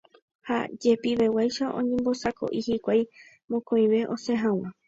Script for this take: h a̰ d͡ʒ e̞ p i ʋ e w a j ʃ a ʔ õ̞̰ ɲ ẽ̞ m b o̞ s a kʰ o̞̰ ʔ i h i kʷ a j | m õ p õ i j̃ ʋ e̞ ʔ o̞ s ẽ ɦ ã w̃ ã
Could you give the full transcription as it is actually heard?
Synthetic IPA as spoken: h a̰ d͡ʒ e̞ p i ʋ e w a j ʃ a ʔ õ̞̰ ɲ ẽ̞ m b o̞ s a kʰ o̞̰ ʔ i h i kʷ a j | m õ k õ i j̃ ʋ e̞ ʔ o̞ s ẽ ɦ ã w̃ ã